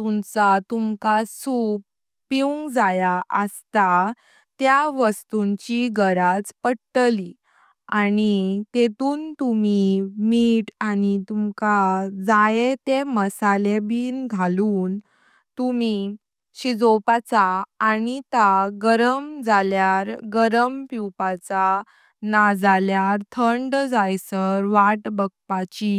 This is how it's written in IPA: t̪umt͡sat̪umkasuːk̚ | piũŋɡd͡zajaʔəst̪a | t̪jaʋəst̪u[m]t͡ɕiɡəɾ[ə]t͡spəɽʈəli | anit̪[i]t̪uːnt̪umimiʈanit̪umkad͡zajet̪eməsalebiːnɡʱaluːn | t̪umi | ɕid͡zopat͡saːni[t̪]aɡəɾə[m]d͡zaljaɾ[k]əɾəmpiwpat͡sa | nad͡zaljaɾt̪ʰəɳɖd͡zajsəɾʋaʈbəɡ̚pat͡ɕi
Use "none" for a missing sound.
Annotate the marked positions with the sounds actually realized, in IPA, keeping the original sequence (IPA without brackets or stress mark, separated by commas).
ɲ, a, e, t̪, m, ɡ